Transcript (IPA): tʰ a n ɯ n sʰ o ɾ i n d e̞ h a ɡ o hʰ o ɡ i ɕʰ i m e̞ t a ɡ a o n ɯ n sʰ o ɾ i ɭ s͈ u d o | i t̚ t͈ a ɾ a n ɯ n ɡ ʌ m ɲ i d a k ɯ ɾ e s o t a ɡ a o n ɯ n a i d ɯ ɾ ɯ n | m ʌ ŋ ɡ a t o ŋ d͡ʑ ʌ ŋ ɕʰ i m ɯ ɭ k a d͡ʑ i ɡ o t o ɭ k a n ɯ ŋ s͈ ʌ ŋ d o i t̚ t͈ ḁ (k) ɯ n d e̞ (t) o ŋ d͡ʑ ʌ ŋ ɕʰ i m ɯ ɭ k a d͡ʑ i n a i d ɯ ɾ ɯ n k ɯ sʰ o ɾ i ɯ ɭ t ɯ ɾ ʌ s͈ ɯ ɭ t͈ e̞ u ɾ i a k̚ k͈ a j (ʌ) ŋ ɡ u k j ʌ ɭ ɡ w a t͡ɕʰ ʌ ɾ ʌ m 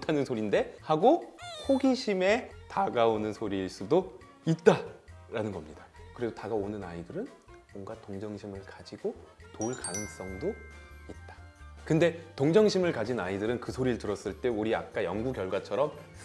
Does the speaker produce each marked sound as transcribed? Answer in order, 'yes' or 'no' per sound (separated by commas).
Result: yes, yes, yes